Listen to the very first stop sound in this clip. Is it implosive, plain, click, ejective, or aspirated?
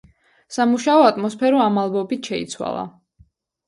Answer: ejective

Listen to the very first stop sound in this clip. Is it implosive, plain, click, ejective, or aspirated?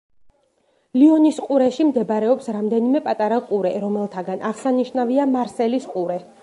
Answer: ejective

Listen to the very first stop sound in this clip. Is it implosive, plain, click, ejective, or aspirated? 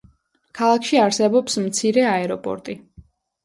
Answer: aspirated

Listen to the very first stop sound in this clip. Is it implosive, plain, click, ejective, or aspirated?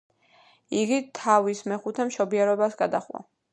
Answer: plain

